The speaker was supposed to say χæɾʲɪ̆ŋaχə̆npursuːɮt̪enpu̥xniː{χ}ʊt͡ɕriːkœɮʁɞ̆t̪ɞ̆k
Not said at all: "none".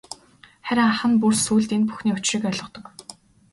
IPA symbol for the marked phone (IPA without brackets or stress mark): none